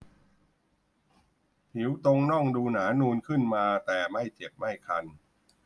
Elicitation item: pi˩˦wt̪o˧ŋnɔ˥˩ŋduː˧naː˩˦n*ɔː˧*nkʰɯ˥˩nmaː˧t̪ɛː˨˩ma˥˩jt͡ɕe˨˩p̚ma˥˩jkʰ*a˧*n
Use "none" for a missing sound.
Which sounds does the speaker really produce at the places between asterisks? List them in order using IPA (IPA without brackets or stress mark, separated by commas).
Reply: uː˧, a˧